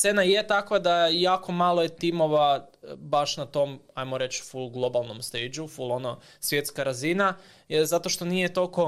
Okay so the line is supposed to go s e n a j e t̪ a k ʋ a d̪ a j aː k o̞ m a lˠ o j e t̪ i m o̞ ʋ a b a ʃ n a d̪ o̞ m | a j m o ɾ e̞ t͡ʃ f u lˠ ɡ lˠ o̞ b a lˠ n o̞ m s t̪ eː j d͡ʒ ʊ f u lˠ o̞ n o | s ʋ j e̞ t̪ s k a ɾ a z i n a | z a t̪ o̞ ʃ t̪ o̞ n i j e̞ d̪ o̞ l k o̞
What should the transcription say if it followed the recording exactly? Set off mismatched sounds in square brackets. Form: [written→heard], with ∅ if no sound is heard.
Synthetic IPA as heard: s e n a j e t̪ a k ʋ a d̪ a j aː k o̞ m a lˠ o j e t̪ i m o̞ ʋ a b a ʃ n a [d̪→t̪] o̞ m | a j m o ɾ e̞ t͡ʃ f u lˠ ɡ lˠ o̞ b a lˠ n o̞ m s t̪ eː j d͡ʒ [ʊ→u] f u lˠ o̞ n o | s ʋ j e̞ t̪ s k a ɾ a z i n a | z a t̪ o̞ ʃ t̪ o̞ n i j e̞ [d̪→t̪] o̞ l k o̞